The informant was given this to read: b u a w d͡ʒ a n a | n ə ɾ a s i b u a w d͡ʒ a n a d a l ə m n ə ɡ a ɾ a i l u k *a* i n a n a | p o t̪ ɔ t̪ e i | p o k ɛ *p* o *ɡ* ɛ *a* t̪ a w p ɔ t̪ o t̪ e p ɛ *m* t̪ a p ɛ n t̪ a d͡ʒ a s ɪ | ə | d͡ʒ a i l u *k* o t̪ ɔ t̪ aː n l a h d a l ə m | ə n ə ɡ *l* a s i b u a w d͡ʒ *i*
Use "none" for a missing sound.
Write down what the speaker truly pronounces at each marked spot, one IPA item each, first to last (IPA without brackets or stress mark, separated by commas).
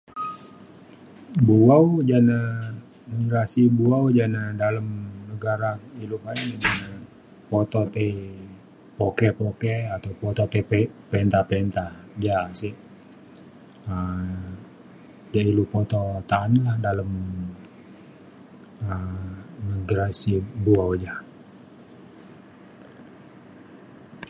a, p, k, a, n, p, ɾ, a